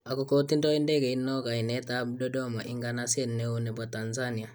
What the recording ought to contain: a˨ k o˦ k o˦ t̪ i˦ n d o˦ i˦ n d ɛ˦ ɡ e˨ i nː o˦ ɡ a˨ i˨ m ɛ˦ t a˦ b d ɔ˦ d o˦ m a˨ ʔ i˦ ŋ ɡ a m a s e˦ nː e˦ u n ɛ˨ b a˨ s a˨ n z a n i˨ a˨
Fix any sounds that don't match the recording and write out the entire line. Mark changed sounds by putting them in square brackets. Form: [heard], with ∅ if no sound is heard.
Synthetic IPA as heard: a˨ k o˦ k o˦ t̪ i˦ n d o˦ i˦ n d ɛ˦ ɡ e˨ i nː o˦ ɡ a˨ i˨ [n] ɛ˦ t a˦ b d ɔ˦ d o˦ m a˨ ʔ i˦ ŋ ɡ a [n] a s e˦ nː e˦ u n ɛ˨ b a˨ [t] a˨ n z a n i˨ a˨